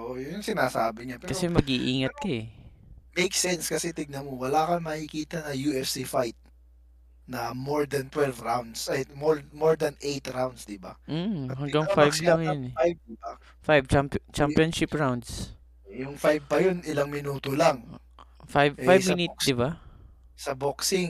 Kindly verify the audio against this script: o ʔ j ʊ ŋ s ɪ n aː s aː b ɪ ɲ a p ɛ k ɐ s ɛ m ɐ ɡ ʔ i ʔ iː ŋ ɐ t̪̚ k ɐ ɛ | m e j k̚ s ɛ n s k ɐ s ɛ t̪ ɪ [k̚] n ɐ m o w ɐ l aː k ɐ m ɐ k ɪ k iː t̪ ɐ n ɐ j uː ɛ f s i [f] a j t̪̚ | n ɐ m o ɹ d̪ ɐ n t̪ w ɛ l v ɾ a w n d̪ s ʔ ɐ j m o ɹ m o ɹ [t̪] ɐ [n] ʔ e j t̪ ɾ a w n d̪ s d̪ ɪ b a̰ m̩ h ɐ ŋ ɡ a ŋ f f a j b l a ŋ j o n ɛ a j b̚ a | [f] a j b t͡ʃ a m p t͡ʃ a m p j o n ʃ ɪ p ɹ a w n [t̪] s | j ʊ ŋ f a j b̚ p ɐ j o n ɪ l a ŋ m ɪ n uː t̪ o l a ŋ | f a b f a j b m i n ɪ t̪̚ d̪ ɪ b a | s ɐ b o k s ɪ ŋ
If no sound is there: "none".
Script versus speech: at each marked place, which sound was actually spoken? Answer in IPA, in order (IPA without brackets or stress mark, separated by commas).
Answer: ɡ̚, f, d̪, n, f, d̪